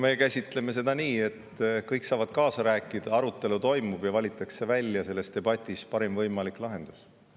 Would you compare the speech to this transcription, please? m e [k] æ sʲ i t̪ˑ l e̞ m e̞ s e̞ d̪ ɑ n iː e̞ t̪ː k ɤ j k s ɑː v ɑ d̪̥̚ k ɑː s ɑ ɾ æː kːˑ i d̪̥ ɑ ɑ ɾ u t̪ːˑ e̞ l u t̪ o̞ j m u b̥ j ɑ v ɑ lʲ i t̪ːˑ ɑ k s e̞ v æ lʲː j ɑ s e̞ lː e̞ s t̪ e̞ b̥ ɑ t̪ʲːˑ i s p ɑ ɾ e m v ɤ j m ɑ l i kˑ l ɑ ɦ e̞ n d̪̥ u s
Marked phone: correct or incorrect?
correct